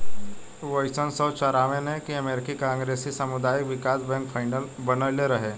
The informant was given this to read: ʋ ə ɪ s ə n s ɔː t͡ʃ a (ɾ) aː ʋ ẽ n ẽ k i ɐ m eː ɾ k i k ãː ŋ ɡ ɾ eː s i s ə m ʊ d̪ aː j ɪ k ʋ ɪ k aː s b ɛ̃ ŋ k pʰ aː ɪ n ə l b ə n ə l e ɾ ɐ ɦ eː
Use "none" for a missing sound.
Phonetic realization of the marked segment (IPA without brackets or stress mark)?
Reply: ɾ